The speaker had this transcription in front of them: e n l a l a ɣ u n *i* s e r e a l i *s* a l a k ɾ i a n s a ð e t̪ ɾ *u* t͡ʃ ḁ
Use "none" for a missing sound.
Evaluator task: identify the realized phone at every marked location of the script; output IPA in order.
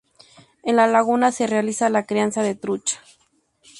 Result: a, s, u

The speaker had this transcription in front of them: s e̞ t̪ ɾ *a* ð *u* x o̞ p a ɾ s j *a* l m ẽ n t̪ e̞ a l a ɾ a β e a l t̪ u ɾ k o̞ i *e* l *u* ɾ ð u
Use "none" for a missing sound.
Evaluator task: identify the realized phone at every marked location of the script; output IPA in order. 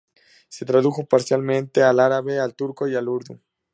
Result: a, u, a, a, u

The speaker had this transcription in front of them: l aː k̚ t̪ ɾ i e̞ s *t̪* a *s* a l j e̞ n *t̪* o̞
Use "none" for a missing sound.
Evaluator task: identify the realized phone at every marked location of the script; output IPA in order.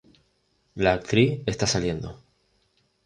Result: t̪, s, d̪

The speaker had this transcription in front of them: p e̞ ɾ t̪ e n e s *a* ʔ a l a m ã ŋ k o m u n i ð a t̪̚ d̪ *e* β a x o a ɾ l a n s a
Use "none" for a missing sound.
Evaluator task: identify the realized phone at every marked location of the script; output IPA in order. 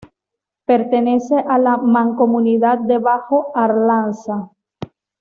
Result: e, e

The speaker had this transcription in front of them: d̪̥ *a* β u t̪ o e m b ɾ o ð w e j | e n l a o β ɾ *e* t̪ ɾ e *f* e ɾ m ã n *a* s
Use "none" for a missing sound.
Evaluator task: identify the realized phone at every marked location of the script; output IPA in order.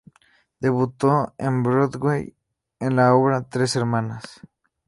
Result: e, a, s, a

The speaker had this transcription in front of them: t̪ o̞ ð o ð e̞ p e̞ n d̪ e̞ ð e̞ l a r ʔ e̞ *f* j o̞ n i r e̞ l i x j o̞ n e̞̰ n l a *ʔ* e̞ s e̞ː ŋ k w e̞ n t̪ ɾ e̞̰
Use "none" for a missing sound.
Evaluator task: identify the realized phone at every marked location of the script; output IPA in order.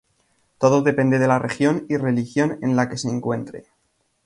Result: x, k

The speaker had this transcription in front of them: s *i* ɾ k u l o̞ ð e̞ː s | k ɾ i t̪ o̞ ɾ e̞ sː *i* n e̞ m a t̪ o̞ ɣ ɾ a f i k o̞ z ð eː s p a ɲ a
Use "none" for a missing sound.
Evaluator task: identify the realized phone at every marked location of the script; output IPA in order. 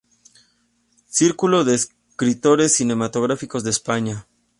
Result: i, i

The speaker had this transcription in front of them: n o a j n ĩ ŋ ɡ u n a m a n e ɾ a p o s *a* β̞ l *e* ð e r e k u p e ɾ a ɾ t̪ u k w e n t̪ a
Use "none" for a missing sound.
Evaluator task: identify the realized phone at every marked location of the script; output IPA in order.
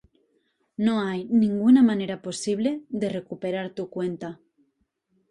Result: i, e

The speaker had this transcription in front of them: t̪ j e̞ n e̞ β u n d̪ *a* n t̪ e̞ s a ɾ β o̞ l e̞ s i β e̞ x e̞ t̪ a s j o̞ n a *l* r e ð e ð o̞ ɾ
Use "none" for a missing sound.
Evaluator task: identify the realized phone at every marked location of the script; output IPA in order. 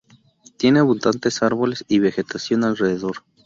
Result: a, l

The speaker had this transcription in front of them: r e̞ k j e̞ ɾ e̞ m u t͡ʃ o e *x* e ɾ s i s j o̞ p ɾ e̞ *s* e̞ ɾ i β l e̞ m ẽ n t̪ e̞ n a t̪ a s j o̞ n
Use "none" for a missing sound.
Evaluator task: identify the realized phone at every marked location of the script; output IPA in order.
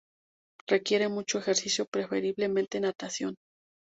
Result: x, f

